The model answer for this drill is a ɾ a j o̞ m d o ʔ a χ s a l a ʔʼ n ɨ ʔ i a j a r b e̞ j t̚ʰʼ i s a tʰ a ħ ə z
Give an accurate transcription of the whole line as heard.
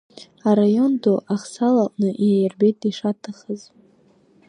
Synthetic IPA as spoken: a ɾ a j o̞ n d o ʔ a χ s a l a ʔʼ n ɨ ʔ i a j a r b e̞ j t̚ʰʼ i ʂ a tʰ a χ ə z